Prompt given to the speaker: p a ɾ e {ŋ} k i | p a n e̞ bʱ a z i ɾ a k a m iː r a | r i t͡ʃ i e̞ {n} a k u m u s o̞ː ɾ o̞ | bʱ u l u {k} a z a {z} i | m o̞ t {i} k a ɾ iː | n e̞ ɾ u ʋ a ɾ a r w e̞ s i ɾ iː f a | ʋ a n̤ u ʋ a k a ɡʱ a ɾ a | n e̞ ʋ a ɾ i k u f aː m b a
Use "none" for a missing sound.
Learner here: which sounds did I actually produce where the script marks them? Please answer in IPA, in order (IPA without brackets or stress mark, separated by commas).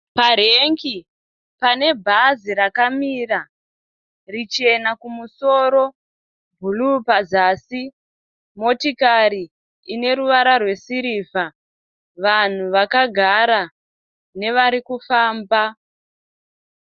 ŋ, n, p, s, i